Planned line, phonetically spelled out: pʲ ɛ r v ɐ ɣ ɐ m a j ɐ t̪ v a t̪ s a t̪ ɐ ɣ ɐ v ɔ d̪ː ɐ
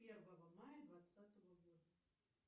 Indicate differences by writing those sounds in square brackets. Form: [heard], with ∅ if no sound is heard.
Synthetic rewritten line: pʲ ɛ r v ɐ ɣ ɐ m a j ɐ [d̪] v a t̪ s a t̪ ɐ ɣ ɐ [ɣ] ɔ [d̪] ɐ